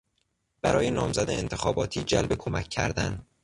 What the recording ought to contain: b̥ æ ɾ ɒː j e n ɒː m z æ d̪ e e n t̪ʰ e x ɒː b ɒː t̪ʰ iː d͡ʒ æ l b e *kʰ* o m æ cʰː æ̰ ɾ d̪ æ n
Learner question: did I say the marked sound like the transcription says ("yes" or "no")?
yes